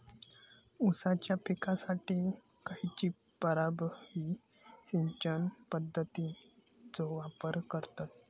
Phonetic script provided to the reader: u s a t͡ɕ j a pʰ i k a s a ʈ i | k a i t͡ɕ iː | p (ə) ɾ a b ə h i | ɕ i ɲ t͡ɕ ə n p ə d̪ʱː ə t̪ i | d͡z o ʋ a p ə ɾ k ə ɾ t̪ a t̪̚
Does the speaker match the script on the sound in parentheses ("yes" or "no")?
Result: yes